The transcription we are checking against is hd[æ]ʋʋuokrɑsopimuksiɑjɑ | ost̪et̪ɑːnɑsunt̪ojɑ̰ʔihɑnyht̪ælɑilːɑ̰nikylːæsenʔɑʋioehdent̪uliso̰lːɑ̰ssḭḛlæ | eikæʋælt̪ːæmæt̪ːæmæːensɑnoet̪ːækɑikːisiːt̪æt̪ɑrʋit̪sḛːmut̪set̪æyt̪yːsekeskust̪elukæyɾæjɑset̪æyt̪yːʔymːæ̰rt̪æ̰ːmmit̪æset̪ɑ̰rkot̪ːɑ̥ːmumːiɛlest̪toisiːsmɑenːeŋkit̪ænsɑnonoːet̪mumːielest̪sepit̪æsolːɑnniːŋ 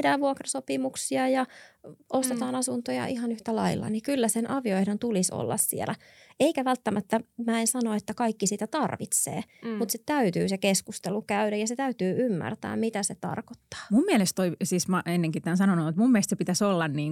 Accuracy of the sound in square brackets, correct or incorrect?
incorrect